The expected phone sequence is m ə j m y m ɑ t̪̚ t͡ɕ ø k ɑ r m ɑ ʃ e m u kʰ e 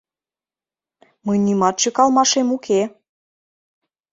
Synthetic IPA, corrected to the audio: m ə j n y m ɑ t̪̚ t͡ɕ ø k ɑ l m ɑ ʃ e m u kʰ e